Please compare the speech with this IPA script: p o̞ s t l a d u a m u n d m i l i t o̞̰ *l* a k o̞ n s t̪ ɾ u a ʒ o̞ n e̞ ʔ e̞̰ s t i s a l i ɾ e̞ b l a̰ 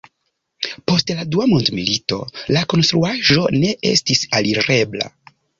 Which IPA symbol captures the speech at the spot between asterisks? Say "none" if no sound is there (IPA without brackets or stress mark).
l